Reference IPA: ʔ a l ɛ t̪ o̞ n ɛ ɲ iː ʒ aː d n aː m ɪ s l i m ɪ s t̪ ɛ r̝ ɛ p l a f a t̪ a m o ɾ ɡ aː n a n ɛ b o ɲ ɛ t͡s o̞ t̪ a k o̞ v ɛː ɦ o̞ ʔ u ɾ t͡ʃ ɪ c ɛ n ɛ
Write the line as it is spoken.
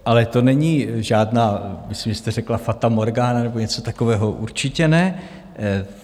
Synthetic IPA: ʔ a l ɛ t̪ o̞ n ɛ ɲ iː ʒ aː d n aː m ɪ s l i m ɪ s t̪ ɛ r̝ ɛ k l a f a t̪ a m o ɾ ɡ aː n a n ɛ b o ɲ ɛ t͡s o̞ t̪ a k o̞ v ɛː ɦ o̞ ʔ u ɾ t͡ʃ ɪ c ɛ n ɛ